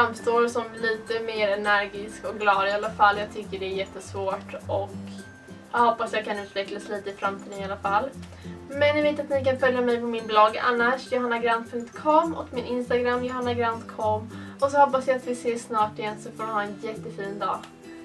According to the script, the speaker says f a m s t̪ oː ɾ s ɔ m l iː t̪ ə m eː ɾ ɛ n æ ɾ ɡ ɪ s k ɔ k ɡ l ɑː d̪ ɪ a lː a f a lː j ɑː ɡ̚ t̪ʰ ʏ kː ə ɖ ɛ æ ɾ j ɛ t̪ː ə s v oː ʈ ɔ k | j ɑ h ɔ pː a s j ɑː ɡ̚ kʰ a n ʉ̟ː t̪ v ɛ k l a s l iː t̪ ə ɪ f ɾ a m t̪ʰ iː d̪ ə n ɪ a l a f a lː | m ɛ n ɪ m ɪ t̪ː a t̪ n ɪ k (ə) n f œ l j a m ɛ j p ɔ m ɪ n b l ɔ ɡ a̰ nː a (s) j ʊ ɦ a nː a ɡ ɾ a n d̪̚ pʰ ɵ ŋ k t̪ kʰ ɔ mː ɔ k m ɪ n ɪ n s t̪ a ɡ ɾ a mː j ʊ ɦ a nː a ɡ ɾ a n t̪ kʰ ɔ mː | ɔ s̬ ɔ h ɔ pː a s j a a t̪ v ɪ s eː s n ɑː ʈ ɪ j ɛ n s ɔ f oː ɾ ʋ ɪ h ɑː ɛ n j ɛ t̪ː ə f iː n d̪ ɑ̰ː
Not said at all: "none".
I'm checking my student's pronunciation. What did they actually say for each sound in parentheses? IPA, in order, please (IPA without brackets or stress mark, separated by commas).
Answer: a, ʂ